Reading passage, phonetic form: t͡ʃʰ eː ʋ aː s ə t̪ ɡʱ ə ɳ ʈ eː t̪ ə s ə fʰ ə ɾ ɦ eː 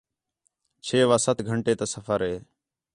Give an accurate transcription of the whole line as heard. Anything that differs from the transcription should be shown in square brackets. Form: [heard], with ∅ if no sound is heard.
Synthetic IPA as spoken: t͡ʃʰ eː ʋ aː s ə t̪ ɡʱ ə ɳ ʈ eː t̪ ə s ə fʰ ə ɾ ɦ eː